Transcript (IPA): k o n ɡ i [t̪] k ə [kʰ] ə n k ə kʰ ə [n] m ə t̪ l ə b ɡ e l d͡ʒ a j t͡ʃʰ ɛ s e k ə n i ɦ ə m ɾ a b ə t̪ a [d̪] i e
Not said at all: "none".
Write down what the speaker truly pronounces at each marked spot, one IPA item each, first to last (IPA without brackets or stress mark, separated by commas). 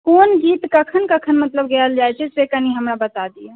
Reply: t̪, kʰ, n, d̪